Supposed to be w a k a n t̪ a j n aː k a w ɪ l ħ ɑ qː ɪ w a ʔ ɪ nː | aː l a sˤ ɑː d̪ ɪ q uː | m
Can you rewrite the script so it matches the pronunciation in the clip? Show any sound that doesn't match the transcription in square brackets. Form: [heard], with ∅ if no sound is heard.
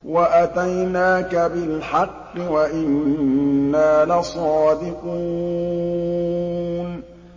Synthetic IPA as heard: w a [ʔ] a [∅] t̪ a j n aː k a [b] ɪ l ħ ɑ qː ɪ w a ʔ ɪ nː | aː l a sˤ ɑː d̪ ɪ q uː | [n]